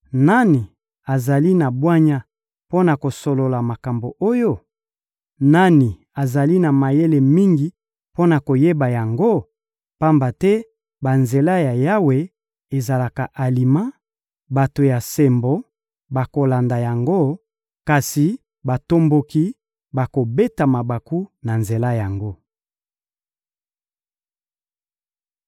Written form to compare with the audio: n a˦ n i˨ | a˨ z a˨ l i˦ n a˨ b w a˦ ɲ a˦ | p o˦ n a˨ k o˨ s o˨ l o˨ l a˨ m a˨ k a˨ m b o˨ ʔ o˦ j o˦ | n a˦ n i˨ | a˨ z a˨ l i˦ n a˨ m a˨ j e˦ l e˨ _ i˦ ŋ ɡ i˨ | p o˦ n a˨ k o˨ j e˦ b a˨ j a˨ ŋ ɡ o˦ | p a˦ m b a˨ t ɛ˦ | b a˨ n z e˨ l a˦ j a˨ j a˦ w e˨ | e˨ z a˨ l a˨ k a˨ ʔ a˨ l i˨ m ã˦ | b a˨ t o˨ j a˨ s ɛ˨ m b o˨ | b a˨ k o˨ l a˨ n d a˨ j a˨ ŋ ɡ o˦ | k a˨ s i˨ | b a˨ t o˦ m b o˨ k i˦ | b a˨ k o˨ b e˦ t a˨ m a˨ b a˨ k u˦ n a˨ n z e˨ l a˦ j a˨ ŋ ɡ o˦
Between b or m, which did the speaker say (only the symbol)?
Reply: m